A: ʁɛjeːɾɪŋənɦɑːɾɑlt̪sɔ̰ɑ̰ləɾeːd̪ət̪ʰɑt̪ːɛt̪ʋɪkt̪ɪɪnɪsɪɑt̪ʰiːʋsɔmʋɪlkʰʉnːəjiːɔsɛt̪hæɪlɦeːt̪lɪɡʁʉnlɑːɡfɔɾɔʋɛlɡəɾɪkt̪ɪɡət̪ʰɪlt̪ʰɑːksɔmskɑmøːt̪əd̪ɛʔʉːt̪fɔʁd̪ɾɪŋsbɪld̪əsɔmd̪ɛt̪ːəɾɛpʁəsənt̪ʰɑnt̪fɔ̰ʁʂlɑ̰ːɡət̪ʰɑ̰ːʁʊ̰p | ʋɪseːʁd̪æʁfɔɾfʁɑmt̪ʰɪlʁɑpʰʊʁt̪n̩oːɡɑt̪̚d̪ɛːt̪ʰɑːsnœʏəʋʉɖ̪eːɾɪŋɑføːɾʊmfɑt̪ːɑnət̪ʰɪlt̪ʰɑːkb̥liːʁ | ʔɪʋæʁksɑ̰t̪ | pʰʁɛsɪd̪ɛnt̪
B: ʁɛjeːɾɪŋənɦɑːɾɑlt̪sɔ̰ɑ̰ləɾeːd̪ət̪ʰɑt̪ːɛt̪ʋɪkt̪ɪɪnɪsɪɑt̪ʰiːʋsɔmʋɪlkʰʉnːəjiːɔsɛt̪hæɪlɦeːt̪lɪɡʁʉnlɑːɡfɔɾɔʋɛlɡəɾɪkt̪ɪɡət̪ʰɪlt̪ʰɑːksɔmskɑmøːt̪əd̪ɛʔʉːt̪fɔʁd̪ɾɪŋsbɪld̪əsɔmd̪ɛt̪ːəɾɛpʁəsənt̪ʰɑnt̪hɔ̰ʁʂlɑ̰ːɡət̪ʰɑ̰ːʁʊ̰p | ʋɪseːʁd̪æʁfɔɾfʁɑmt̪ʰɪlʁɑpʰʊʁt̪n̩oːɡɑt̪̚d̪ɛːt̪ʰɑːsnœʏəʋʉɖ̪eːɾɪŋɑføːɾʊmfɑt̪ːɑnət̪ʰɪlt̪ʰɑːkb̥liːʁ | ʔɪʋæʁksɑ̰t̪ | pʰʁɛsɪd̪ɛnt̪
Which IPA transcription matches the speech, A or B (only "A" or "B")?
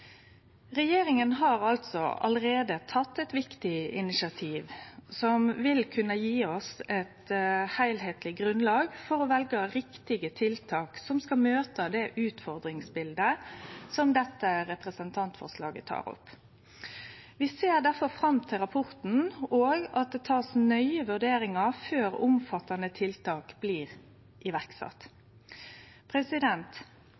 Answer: A